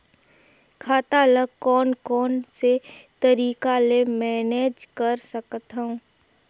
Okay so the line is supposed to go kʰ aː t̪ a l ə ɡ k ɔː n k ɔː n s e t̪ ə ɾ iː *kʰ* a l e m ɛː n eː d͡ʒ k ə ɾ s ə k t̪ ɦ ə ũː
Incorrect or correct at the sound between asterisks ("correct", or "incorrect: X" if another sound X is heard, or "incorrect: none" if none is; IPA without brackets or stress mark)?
incorrect: k